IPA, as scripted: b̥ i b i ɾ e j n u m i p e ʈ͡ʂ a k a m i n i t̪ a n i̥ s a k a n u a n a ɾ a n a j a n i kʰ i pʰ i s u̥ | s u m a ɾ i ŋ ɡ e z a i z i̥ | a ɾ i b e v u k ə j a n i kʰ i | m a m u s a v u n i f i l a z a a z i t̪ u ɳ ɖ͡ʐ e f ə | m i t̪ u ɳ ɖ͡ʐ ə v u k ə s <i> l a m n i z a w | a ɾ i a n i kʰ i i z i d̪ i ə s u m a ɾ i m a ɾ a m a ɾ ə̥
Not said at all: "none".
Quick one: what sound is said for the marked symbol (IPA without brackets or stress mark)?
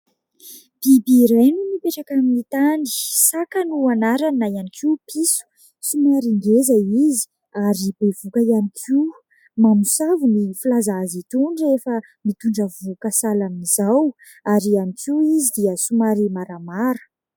a